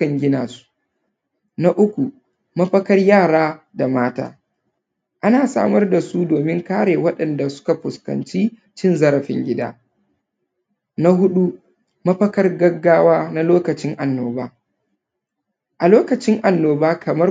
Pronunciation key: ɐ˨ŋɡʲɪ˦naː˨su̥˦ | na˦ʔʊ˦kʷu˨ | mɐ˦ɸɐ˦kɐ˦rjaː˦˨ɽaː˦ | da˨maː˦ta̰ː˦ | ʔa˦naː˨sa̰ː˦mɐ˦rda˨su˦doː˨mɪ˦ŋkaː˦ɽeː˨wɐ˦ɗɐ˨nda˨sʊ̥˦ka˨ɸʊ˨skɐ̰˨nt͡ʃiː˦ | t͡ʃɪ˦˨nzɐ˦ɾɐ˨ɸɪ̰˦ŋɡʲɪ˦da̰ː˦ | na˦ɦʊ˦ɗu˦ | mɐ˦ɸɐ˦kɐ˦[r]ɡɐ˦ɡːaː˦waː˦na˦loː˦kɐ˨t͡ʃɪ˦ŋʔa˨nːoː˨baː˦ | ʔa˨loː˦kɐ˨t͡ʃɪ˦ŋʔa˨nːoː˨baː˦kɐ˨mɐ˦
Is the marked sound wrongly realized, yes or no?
no